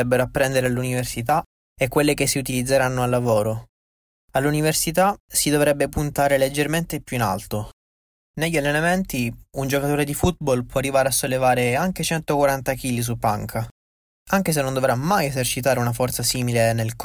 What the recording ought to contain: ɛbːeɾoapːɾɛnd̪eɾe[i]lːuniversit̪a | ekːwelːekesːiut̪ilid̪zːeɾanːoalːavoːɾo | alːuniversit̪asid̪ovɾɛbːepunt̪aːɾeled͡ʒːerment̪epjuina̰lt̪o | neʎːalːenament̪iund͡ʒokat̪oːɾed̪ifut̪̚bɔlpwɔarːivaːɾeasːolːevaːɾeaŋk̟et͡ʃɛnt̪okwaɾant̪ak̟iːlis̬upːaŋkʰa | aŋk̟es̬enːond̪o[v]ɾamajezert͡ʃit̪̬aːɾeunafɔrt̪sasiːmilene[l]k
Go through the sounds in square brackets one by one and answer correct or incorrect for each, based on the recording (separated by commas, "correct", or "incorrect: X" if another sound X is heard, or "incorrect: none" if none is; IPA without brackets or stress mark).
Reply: incorrect: a, correct, correct